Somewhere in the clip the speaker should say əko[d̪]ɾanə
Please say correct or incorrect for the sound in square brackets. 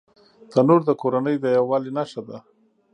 incorrect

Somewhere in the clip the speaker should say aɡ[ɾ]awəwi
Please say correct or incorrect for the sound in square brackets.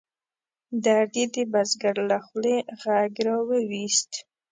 correct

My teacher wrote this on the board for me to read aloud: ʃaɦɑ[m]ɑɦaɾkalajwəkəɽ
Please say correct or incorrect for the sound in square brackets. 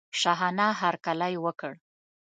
incorrect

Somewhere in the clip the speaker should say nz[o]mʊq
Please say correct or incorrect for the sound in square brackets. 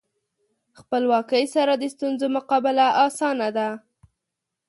correct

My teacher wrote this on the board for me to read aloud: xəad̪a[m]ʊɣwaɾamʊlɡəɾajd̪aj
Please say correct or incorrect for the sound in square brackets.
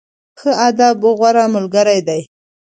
incorrect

